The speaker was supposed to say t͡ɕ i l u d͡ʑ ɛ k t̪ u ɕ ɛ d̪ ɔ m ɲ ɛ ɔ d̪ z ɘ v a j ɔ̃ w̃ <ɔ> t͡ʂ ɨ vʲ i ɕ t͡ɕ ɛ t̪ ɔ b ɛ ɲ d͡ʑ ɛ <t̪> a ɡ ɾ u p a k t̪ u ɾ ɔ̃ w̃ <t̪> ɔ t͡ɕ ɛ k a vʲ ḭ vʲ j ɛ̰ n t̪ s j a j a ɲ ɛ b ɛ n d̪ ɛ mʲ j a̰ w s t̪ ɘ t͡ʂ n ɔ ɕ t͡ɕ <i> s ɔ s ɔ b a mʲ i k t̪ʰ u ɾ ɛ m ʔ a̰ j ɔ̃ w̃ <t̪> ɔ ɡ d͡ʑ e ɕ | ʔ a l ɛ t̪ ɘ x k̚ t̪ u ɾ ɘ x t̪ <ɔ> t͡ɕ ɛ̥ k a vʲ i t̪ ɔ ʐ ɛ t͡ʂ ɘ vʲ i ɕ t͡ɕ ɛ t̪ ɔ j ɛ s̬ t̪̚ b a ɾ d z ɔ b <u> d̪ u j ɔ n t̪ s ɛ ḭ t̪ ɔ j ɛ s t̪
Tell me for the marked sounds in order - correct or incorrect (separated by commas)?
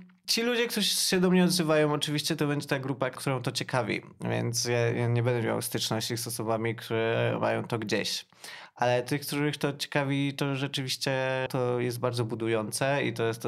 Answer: correct, correct, correct, correct, correct, correct, correct